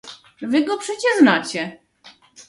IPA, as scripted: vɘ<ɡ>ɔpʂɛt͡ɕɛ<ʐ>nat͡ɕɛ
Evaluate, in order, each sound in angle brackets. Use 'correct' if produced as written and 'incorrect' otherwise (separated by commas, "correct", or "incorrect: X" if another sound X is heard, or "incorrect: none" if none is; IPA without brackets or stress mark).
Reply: correct, correct